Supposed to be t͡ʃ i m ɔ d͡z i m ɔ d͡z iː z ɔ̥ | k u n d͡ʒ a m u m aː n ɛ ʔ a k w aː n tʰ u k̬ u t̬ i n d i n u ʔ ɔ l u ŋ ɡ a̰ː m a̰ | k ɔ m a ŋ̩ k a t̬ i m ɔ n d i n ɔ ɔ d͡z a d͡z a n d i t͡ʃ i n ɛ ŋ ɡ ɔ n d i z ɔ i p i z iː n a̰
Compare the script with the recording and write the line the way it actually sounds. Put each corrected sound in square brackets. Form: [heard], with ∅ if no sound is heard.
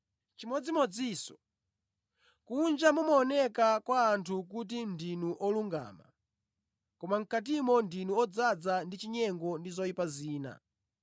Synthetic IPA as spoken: t͡ʃ i m ɔ d͡z i m ɔ d͡z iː [s] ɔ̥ | k u n d͡ʒ a m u m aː n ɛ [k] a k w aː n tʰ u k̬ u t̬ i n d i n u ʔ ɔ l u ŋ ɡ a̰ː m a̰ | k ɔ m a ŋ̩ k a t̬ i m ɔ n d i n [u] ɔ d͡z a d͡z a n d i t͡ʃ i [ɲ] ɛ ŋ ɡ ɔ n d i z ɔ i p [a] z iː n a̰